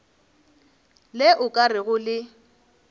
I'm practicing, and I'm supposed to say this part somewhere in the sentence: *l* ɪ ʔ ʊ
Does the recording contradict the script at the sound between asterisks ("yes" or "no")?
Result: no